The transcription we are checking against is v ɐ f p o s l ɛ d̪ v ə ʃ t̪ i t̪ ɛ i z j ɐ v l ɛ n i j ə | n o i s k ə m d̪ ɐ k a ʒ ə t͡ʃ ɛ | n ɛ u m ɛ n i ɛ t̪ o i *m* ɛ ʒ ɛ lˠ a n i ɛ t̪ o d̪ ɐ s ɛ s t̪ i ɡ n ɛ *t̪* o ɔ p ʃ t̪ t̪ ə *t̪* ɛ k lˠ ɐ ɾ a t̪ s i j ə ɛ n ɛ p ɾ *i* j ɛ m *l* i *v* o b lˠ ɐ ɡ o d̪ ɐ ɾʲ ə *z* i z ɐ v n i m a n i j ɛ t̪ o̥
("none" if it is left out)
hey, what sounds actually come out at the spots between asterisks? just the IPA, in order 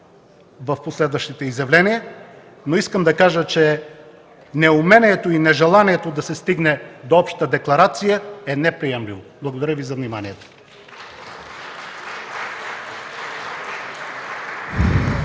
n, d̪, d̪, i, l, v, v

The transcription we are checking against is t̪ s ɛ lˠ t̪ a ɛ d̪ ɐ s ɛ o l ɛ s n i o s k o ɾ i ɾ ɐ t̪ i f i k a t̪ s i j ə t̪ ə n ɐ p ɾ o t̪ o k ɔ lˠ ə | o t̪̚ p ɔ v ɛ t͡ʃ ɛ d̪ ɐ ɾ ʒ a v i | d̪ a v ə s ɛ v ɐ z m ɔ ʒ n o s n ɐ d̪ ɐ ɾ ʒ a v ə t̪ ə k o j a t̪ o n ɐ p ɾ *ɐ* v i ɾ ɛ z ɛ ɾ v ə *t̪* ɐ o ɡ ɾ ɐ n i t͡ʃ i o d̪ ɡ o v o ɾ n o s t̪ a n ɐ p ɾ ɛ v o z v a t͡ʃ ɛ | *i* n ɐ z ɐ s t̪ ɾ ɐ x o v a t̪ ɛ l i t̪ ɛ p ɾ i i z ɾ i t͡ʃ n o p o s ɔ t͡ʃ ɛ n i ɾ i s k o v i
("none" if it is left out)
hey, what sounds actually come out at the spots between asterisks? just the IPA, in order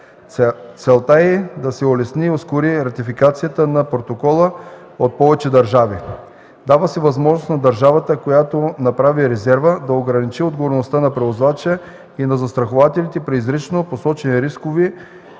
a, d̪, i

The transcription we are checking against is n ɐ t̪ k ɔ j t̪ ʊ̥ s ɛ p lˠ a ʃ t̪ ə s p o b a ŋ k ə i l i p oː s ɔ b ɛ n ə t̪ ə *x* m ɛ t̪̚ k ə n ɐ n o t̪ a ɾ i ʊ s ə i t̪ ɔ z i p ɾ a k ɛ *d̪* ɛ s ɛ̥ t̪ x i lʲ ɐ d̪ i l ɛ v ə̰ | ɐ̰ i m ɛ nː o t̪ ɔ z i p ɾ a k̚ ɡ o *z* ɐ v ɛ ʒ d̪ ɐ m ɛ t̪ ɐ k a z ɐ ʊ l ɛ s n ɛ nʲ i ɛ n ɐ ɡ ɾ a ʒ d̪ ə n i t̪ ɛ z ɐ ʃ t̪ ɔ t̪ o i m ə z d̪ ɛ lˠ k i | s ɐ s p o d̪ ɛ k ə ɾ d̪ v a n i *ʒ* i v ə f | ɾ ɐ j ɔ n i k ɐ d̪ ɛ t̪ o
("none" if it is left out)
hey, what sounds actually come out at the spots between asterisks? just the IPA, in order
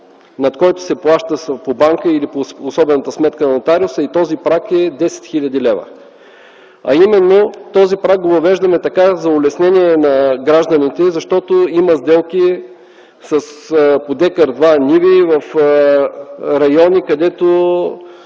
s, d̪, v, v

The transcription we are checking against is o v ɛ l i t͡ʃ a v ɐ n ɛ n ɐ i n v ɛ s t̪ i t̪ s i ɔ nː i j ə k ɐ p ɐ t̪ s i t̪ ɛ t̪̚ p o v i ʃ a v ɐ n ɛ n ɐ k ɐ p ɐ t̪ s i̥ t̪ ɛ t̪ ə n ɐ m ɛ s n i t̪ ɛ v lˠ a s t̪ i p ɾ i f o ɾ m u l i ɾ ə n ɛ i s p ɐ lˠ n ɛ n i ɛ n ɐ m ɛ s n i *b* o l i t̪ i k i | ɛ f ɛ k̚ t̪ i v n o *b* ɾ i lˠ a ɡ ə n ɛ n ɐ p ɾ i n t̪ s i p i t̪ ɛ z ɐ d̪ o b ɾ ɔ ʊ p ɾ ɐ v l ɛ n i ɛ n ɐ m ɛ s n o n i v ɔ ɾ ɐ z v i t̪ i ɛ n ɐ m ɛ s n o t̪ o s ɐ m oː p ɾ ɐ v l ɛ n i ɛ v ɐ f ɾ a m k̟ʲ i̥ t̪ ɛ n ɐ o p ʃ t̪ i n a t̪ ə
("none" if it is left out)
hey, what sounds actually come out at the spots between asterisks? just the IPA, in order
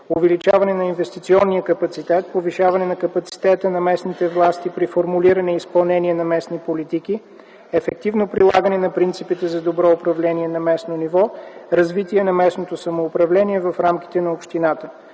p, p

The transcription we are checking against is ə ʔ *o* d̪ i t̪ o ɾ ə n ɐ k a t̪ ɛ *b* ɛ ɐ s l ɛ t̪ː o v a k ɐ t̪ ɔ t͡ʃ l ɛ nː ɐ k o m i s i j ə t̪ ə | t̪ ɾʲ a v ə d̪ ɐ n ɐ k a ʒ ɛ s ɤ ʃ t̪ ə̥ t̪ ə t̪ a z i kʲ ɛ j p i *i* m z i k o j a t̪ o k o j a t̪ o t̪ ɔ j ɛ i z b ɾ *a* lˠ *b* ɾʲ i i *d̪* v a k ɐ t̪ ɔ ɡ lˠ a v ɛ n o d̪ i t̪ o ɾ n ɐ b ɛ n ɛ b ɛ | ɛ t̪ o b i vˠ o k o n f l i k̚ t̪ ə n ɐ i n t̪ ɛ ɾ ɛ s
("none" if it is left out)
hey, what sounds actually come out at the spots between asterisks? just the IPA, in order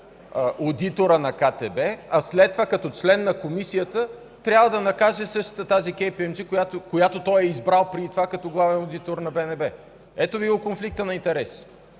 o, b, ɛ, a, p, t̪

